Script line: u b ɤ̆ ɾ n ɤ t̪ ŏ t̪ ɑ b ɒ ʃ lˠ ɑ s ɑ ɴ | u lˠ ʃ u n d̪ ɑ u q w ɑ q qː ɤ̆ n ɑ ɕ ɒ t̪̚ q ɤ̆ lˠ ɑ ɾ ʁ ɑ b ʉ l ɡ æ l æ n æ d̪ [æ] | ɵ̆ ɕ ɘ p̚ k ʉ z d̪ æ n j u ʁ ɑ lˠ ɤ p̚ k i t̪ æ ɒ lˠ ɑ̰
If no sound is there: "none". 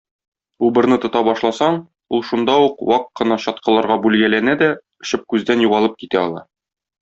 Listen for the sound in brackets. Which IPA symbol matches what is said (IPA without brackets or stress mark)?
æ